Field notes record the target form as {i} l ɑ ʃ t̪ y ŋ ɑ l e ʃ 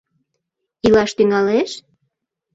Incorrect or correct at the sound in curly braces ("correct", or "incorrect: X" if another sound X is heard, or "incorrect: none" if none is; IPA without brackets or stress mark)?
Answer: correct